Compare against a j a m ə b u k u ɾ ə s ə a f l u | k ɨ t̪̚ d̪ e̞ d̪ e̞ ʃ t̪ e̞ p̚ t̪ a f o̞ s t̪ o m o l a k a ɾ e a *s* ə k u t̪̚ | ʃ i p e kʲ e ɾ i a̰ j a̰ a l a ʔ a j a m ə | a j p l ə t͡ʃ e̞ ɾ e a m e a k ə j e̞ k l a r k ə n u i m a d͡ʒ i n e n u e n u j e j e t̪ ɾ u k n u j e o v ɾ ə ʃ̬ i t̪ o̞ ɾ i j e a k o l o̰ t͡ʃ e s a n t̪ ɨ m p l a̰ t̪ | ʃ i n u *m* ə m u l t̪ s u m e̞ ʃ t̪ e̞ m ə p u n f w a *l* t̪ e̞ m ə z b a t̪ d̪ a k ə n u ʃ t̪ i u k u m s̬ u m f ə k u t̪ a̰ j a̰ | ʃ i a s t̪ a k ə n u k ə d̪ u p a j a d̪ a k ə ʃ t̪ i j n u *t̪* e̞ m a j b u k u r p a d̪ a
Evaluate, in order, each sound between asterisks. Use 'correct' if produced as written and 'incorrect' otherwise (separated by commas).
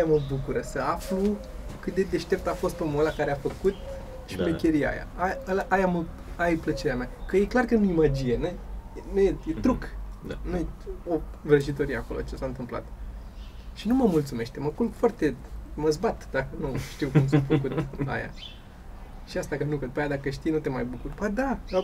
incorrect, correct, incorrect, correct